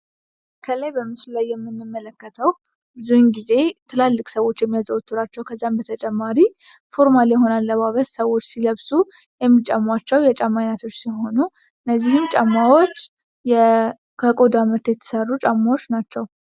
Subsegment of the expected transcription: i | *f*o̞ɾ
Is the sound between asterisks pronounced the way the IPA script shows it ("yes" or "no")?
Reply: yes